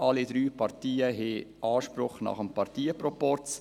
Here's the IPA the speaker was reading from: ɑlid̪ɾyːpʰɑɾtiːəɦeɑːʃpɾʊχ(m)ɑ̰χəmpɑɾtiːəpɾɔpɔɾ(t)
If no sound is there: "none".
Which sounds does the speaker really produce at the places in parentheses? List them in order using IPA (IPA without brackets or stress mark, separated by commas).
n, t͡s